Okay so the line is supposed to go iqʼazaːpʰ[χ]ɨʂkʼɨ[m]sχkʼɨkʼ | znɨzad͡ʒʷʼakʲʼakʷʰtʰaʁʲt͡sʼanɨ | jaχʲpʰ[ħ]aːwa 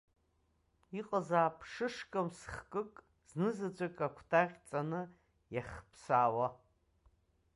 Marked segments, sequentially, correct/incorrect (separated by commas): incorrect, correct, incorrect